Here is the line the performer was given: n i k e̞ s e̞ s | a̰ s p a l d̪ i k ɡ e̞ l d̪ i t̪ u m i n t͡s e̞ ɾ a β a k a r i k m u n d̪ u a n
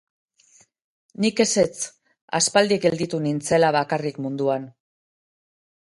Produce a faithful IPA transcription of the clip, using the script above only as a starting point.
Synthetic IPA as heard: n i k e̞ s e̞ t͡s | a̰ s p a l d̪ i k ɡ e̞ l d̪ i t̪ u n i n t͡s e̞ l a β a k a r i k m u n d̪ u a n